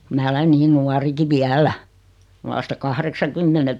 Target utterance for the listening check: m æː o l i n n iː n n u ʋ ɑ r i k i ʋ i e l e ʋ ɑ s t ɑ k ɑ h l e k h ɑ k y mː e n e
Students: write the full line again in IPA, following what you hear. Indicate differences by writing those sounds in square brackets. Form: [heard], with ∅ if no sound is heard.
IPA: m æː o l [e] n n iː n n u [∅] ɑ r i k i ʋ i [æ] l [æ] ʋ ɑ s t ɑ k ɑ h [r] e k [s] ɑ k y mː e n e